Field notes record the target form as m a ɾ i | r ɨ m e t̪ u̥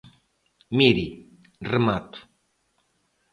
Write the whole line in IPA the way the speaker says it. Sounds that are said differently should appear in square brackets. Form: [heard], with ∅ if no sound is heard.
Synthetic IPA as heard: m [i] ɾ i | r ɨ m [a] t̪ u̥